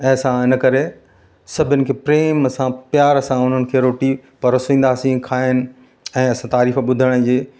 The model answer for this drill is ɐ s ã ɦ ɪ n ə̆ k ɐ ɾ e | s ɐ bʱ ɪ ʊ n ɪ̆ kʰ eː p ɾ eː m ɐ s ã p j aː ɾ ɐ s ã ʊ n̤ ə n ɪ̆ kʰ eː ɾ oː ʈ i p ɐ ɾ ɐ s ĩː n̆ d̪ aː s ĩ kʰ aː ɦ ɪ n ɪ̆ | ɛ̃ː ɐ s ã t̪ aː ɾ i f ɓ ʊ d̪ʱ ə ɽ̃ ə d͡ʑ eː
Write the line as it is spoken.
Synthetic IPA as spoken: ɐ s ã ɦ ɪ n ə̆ k ɐ ɾ e | s ɐ bʱ ɪ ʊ n ɪ̆ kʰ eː p ɾ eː m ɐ s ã p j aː ɾ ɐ s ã ʊ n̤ ə n ɪ̆ kʰ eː ɾ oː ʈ i p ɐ ɾ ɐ s ĩː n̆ d̪ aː s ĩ kʰ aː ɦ ɪ n ɪ̆ | ɛ̃ː ɐ s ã t̪ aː ɾ iː f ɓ ʊ d̪ʱ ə ɽ̃ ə d͡ʑ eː